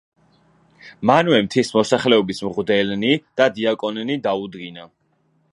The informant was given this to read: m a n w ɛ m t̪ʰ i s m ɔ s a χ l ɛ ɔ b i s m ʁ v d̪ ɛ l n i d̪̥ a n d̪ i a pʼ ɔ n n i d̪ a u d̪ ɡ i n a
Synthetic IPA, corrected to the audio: m a n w ɛ m t̪ʰ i s m ɔ s a χ l ɛ ɔ b i s m ʁ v d̪ ɛ l n i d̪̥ a d̪ i a kʼ ɔ n n i d̪ a u d̪ ɡ i n a